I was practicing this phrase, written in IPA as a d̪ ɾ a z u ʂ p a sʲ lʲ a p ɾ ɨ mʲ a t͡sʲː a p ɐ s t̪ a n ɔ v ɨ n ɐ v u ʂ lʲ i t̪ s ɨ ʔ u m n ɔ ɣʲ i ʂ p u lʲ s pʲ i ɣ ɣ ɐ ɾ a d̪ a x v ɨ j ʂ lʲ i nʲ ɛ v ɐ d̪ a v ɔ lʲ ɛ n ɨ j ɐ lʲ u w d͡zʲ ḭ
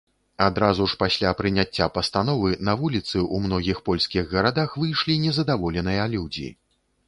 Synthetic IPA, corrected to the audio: a d̪ ɾ a z u ʂ p a sʲ lʲ a p ɾ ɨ nʲ a t͡sʲː a p ɐ s t̪ a n ɔ v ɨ n ɐ v u lʲ i t̪ s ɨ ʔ u m n ɔ ɣʲ i x p ɔ lʲ s kʲ i ɣ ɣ ɐ ɾ a d̪ a x v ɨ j ʂ lʲ i nʲ ɛ z ɐ d̪ a v ɔ lʲ ɛ n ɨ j ɐ lʲ u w d͡zʲ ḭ